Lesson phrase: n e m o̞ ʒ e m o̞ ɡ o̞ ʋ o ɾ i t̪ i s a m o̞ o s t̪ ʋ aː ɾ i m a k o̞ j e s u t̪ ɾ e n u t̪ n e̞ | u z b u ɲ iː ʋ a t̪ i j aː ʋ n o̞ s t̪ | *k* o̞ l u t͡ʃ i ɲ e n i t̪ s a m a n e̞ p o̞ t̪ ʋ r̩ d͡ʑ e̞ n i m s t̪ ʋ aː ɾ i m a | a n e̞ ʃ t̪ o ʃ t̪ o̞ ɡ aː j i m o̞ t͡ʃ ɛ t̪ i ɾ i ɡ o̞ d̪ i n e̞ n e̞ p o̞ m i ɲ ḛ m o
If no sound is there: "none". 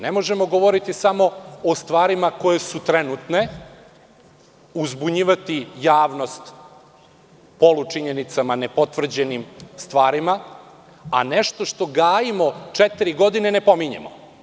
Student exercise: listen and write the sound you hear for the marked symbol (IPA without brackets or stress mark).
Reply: p